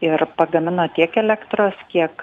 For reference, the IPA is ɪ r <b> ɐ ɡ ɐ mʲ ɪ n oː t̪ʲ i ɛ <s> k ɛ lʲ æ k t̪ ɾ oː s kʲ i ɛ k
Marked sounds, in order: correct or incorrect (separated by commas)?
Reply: incorrect, incorrect